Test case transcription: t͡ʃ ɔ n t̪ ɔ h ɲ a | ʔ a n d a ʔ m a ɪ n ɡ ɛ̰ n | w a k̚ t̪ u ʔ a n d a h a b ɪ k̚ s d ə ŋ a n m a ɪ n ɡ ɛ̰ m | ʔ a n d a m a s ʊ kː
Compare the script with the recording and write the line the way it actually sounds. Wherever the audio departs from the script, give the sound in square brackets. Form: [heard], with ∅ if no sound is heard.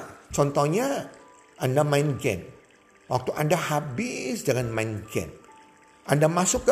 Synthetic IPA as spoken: t͡ʃ ɔ n t̪ ɔ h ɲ a | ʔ a n d a [∅] m a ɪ n ɡ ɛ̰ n | w a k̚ t̪ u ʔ a n d a h a b ɪ [∅] s d ə ŋ a n m a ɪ n ɡ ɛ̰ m | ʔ a n d a m a s ʊ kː